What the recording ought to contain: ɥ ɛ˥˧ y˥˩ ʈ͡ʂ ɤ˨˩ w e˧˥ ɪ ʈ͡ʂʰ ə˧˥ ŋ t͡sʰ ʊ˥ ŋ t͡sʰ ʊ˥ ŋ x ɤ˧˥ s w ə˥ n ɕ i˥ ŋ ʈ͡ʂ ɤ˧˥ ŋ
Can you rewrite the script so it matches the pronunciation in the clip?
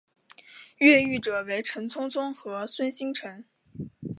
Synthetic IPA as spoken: ɥ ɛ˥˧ y˥˩ ʈ͡ʂ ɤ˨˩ w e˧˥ ɪ ʈ͡ʂʰ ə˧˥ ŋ t͡sʰ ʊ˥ ŋ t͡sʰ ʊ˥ ŋ x ɤ˧˥ s w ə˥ n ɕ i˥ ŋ ʈ͡ʂʰ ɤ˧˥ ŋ